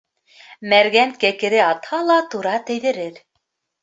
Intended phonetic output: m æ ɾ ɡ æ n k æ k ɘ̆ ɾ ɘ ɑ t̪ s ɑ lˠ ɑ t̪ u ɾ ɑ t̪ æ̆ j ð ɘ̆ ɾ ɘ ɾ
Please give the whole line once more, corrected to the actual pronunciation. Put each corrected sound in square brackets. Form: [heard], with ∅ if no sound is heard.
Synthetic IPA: m æ ɾ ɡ æ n k æ k ɘ̆ ɾ ɘ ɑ t̪ [h] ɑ lˠ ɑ t̪ u ɾ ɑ t̪ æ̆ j ð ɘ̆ ɾ ɘ ɾ